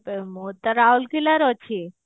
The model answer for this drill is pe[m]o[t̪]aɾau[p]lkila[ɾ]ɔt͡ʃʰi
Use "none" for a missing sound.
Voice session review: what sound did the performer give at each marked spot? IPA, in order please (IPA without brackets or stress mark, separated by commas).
m, t̪, none, ɾ